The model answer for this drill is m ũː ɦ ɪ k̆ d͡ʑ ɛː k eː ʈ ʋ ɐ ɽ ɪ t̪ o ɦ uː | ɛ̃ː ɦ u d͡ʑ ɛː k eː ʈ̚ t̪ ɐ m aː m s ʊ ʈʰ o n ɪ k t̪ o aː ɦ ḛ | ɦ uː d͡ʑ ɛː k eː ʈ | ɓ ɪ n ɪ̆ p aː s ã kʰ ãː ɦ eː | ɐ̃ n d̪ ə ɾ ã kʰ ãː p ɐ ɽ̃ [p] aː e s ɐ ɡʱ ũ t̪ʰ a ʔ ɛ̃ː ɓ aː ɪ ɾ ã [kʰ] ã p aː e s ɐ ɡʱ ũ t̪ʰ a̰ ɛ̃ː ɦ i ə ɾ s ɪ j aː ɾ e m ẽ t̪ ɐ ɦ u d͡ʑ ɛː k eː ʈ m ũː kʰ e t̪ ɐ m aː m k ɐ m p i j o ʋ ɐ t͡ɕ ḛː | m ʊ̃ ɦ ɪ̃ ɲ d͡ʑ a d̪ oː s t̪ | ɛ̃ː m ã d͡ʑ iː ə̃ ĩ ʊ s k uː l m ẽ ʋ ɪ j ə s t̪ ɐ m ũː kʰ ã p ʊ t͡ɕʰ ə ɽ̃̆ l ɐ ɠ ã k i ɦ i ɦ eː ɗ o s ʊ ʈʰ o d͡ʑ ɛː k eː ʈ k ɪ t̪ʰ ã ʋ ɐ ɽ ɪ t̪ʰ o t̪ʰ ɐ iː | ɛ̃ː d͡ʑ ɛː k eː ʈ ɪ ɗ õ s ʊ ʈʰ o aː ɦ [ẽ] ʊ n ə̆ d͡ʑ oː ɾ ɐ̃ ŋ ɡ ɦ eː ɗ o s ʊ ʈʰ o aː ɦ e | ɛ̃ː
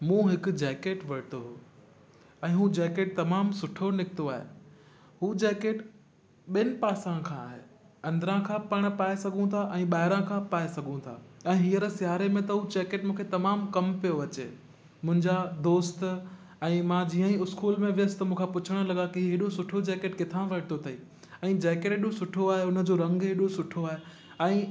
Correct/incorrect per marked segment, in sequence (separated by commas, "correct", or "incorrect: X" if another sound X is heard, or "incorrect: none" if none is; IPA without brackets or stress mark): correct, correct, incorrect: e